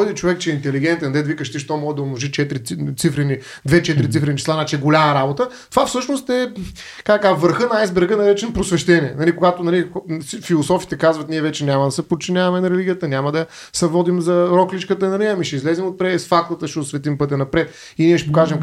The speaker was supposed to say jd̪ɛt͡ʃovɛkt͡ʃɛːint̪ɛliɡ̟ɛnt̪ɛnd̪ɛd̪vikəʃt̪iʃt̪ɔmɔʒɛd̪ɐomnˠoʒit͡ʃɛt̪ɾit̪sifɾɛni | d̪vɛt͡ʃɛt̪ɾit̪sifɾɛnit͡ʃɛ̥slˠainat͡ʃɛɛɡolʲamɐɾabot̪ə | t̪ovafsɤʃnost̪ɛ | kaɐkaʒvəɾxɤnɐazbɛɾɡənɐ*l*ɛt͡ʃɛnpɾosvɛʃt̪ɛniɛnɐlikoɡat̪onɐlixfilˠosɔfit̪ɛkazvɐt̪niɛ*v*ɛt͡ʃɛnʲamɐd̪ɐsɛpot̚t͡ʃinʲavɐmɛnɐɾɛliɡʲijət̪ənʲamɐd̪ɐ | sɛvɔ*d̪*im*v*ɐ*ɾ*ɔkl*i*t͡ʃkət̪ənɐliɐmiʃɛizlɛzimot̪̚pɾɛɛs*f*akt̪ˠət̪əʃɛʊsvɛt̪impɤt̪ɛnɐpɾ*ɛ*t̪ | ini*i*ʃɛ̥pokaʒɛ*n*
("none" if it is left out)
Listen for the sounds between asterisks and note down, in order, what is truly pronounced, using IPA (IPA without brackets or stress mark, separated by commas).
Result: ɾ, v, d̪, z, ɾ, i, f, ɛ, ɛ, m